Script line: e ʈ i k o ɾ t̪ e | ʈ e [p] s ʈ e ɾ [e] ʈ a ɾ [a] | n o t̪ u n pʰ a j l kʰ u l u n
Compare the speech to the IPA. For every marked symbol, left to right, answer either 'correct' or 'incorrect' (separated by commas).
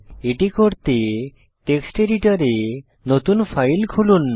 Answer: incorrect, incorrect, incorrect